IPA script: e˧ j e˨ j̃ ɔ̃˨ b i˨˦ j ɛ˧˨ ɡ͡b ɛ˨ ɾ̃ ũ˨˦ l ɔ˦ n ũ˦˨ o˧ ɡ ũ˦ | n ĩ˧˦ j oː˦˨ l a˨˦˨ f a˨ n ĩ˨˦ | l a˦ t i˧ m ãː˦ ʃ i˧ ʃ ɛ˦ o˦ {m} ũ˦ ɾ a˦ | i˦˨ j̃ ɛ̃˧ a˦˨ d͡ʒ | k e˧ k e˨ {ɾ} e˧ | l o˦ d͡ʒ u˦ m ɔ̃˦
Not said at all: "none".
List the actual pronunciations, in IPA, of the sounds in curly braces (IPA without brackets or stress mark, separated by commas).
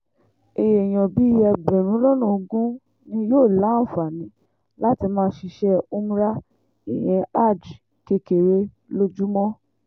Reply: m, ɾ